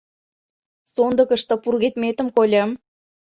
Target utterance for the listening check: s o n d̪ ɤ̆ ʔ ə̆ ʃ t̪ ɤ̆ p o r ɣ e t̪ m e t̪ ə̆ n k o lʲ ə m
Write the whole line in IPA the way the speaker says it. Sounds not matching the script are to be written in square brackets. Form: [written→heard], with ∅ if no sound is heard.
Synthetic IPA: s o n d̪ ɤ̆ [ʔ→k] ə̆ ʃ t̪ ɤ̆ p [o→u] r ɣ e t̪ m e t̪ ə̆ [n→m] k o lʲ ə m